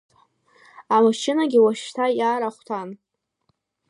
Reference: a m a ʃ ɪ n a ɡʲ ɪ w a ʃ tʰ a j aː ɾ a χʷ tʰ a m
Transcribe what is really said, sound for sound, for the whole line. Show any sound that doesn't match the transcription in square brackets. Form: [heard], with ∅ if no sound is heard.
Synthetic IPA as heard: a m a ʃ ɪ n a ɡʲ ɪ w a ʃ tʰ a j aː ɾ a χʷ tʰ a [n]

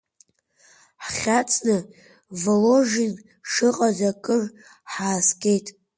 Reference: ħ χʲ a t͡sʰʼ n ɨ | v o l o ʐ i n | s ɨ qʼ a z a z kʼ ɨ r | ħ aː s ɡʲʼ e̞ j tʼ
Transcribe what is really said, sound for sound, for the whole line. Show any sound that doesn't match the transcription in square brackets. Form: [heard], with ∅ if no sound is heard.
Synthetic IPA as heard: ħ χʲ a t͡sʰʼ n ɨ | v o l o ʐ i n | [ʂ] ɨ qʼ a z a [∅] kʼ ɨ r | ħ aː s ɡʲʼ e̞ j tʼ

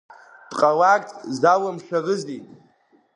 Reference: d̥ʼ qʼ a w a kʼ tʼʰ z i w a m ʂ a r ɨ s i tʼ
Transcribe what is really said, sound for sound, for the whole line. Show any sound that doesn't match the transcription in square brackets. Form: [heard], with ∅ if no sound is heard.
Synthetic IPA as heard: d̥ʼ qʼ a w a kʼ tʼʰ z [a] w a m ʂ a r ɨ [z] i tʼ

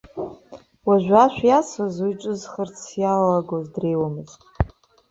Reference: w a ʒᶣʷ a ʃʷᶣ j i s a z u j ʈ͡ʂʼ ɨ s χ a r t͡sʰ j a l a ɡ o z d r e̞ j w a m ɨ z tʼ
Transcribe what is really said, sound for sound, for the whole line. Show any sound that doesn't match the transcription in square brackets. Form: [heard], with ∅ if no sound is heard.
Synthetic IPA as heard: w a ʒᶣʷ a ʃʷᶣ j [a] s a z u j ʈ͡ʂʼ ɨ [z] χ [ə] r t͡sʰ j a l a ɡ o z d r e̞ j w a m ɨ z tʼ

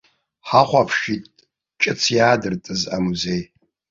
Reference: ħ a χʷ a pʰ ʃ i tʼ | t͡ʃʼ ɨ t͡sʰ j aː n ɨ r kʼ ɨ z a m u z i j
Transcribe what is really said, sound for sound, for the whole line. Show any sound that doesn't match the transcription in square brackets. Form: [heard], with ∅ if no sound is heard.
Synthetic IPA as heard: ħ a χʷ a pʰ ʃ i tʼ | t͡ʃʼ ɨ t͡sʰ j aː [d] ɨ r [tʼ] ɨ z a m u z [e] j

